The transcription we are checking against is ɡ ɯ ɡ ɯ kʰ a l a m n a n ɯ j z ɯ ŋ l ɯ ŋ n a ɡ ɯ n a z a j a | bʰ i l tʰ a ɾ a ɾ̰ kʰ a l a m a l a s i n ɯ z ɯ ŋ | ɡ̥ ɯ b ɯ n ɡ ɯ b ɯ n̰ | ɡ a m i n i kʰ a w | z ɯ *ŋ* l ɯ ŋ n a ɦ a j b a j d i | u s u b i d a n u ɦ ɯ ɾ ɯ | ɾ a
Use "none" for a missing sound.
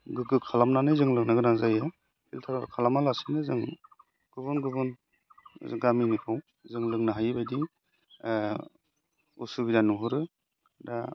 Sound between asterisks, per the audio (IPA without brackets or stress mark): ŋ